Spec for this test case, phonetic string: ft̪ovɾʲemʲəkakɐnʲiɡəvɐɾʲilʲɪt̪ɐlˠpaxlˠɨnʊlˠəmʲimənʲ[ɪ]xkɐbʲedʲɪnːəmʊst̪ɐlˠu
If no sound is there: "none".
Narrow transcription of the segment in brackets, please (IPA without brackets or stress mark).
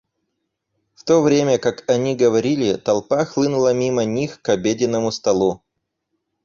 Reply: i